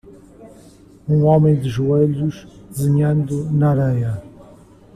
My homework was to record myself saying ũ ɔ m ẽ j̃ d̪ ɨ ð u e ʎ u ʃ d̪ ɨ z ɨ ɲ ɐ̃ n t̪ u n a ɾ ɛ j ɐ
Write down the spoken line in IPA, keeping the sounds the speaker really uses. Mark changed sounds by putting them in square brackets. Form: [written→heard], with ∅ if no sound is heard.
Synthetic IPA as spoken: ũ ɔ m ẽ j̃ d̪ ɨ [ð→ʒ] u e ʎ u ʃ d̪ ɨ z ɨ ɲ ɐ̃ n [t̪→d̪] u n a ɾ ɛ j ɐ